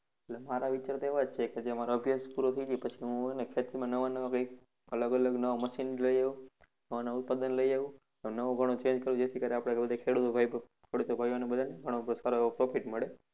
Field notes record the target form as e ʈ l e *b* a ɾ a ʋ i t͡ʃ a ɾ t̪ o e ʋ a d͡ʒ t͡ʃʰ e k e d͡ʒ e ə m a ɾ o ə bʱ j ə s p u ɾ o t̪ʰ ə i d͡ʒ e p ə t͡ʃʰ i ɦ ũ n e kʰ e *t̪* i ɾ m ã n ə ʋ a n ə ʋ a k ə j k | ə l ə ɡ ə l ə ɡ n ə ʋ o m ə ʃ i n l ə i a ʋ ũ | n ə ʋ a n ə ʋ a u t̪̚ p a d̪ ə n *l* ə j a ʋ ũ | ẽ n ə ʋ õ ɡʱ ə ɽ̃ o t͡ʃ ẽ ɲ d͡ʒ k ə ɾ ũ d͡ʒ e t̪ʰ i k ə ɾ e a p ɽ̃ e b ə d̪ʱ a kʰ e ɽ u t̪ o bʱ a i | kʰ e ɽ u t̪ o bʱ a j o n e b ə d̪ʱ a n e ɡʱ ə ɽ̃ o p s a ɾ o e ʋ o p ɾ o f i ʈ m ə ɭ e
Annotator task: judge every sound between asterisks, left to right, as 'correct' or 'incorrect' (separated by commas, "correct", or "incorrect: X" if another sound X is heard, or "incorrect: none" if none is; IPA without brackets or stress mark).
incorrect: m, correct, correct